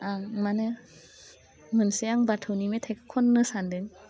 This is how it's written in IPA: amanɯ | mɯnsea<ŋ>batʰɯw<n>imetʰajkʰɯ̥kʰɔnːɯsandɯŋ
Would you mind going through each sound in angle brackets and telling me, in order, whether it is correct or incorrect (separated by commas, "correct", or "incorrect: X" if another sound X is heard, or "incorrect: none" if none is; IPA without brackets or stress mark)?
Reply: correct, correct